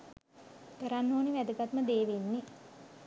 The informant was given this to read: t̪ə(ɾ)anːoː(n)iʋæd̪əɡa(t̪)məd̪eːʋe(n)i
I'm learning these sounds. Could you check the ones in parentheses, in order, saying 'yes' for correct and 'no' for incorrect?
yes, yes, yes, no

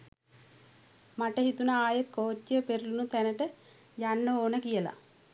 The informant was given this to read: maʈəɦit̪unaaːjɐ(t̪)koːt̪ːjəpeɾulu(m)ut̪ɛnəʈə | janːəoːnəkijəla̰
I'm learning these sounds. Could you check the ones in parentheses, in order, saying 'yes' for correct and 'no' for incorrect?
yes, no

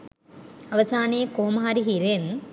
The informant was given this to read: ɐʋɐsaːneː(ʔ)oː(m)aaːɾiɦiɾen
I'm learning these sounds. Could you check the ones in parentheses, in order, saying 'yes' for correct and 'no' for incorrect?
no, yes

